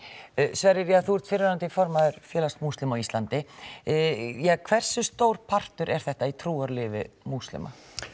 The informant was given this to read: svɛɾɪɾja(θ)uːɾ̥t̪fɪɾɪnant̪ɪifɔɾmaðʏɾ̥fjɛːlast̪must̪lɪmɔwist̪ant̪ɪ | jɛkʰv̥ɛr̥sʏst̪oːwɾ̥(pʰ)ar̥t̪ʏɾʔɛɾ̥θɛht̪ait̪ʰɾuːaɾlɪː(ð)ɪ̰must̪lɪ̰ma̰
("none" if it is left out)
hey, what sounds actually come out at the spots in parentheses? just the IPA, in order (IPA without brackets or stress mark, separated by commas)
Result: θ, pʰ, v